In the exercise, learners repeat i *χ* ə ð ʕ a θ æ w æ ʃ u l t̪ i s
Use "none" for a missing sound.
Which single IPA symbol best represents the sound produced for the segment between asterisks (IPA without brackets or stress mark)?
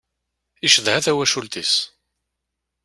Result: ʃ